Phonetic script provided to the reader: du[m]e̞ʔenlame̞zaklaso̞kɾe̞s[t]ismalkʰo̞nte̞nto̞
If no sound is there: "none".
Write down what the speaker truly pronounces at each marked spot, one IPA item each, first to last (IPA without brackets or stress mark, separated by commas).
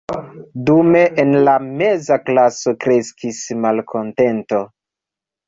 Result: m, k